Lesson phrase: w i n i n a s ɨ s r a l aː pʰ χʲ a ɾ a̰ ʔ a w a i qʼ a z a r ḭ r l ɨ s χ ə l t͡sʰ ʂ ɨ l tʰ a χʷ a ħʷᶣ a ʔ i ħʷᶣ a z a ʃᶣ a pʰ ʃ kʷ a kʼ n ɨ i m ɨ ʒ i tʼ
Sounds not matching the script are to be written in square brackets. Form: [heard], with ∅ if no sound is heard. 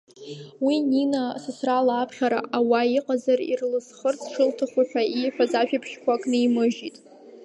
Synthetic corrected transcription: w i n i n a s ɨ s r a l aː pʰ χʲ a ɾ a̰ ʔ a w a i qʼ a z a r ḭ r l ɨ s χ ə [r] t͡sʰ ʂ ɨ l tʰ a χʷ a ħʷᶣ a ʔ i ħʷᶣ a z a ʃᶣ a pʰ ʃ kʷ a kʼ n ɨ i m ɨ ʒ i tʼ

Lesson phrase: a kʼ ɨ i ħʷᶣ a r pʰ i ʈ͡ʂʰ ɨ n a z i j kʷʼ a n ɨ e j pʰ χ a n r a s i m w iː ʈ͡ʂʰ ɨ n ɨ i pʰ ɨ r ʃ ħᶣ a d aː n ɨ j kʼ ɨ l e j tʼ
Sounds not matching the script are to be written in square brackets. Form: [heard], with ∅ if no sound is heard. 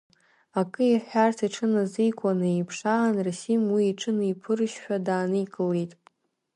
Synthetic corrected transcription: a kʼ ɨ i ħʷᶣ a r [tʰ] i ʈ͡ʂʰ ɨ n a z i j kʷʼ a n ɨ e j pʰ [ʂ] a n r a s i m w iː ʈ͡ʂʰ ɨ n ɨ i pʰ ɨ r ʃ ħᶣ a d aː n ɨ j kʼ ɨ l e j tʼ

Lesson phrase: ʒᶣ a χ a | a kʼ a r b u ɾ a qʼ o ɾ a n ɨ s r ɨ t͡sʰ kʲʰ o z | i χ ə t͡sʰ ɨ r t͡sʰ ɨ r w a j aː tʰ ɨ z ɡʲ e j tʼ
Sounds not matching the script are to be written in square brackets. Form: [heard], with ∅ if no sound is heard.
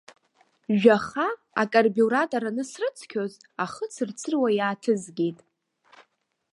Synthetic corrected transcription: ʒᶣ a χ a | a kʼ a r b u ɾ a [tʼ] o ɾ a n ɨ s r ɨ t͡sʰ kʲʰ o z | [a] χ ə t͡sʰ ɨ r t͡sʰ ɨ r w a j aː tʰ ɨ z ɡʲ e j tʼ

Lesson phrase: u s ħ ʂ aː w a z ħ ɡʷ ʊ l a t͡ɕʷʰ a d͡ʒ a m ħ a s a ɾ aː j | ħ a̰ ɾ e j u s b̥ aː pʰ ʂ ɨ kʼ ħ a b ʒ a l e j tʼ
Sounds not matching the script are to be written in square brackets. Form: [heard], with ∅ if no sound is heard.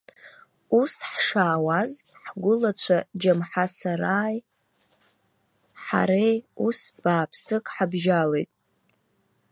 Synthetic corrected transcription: u s ħ ʂ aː w a z ħ ɡʷ ʊ l a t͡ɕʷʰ a d͡ʒ a m ħ a s a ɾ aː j | ħ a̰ ɾ e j u s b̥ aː pʰ [s] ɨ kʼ ħ a b ʒ a l e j tʼ

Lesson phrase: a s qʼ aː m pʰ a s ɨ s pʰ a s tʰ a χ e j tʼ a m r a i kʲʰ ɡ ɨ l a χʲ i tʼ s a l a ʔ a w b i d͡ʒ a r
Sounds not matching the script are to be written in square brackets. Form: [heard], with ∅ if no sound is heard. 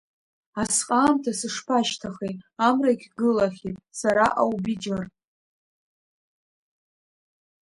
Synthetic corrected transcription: a s qʼ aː m [tʰ] a s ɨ [ʂ] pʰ a [ʃ] tʰ a χ e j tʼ a m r a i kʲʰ ɡ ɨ l a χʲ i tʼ s a [ɾ] a ʔ a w b i d͡ʒ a r

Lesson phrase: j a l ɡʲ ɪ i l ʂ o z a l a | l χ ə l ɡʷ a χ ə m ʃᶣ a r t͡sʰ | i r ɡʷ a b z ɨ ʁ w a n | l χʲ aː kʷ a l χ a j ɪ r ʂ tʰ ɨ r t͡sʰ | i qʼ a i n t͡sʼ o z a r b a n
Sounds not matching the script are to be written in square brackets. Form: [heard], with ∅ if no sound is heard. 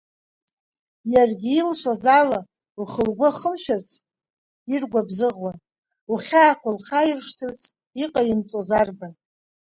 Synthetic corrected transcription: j a [r] ɡʲ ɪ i l ʂ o z a l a | l χ ə l ɡʷ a χ ə m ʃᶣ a r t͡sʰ | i r ɡʷ a b z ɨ ʁ w a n | l χʲ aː kʷ a l χ a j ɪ r ʂ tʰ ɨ r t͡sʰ | i qʼ a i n t͡sʼ o z a r b a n

